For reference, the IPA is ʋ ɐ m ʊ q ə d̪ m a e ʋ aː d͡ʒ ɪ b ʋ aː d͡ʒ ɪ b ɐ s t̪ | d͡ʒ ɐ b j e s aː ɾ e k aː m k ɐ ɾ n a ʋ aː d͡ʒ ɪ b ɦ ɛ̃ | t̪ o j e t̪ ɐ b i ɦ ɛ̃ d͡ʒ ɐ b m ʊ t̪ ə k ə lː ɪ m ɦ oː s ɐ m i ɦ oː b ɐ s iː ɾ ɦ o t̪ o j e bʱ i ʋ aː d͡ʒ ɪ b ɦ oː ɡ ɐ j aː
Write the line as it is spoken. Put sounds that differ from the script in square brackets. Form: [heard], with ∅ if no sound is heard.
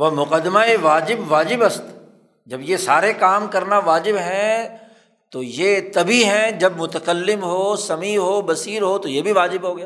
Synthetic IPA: ʋ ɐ m ʊ q ə d̪ m a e ʋ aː d͡ʒ ɪ b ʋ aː d͡ʒ ɪ b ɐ s t̪ | d͡ʒ ɐ b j e s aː ɾ e k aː m k ɐ ɾ n a ʋ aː d͡ʒ ɪ b ɦ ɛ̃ | t̪ o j e t̪ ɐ b i ɦ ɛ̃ d͡ʒ ɐ b m ʊ t̪ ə k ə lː ɪ m ɦ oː s ɐ m i ɦ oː b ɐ s iː ɾ ɦ o t̪ o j e bʱ i ʋ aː d͡ʒ ɪ b ɦ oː ɡ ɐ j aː